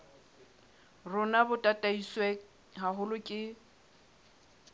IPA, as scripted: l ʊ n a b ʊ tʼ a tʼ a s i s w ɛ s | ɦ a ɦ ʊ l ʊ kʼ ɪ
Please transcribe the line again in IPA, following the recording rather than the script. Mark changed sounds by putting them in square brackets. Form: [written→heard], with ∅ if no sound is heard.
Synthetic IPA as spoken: [l→r] ʊ n a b ʊ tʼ a tʼ a [s→∅] i s w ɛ [s→∅] | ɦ a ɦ ʊ l ʊ kʼ ɪ